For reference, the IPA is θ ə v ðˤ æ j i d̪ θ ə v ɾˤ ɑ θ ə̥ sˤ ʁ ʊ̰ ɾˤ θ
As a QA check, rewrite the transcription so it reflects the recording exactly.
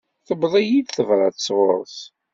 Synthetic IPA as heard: θ ə b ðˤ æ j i d̪ θ ə v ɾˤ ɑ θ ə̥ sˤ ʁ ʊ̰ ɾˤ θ